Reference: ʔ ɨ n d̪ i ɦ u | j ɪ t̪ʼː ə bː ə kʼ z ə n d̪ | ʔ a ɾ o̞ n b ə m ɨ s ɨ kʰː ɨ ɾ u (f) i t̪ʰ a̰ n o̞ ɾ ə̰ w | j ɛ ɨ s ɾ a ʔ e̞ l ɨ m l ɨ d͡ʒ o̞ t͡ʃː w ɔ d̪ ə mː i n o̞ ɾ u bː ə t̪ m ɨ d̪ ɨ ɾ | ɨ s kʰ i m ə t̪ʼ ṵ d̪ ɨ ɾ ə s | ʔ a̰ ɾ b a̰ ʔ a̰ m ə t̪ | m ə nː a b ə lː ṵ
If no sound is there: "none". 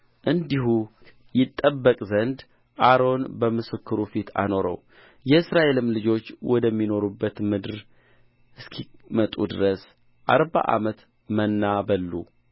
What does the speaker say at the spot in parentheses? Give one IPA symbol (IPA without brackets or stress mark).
f